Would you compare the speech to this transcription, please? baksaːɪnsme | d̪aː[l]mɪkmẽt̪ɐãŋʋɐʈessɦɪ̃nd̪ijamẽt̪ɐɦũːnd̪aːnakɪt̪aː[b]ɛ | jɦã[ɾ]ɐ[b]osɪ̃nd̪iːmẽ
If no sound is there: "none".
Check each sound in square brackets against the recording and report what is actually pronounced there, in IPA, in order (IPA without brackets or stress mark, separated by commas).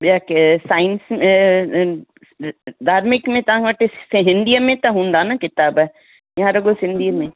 ɾ, b, ɾ, ɡ